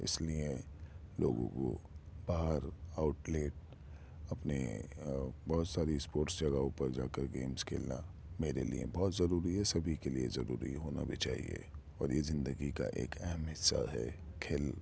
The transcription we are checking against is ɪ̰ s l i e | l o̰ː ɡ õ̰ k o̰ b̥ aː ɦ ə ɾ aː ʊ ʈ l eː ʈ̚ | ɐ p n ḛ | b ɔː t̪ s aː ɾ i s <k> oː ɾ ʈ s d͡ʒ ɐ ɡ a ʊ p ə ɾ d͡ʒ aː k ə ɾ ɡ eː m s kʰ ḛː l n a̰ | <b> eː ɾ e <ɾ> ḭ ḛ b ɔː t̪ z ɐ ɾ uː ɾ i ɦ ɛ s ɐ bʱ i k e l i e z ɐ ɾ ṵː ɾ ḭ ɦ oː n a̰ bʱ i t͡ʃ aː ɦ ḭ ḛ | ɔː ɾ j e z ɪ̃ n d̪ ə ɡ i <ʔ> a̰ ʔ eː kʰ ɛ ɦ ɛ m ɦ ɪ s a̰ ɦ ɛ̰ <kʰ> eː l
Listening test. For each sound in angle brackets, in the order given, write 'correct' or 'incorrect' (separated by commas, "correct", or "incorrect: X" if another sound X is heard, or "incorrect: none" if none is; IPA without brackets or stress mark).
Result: incorrect: p, incorrect: m, incorrect: l, incorrect: k, correct